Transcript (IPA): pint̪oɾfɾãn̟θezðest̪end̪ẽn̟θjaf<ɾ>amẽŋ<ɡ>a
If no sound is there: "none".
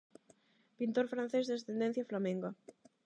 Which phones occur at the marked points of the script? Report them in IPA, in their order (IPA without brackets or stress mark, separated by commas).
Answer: l, ɡ